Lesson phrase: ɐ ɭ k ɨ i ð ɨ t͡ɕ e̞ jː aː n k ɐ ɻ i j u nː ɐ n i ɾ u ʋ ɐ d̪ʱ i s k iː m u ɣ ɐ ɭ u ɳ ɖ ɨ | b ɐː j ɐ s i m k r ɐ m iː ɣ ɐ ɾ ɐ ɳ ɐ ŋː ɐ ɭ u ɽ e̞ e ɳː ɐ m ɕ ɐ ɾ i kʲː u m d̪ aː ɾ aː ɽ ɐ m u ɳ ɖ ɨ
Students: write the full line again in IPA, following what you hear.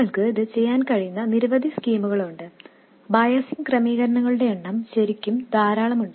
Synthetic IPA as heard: ɐ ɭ k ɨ i ð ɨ t͡ɕ e̞ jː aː n k ɐ ɻ i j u nː ɐ n i ɾ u ʋ ɐ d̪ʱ i s k iː m u ɣ ɐ ɭ u ɳ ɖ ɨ | b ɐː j ɐ s i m k r ɐ m iː ɣ ɐ ɾ ɐ ɳ ɐ ŋː ɐ ɭ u ɽ e̞ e ɳː ɐ m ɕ ɐ ɾ i kʲː u m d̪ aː ɾ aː ɭ ɐ m u ɳ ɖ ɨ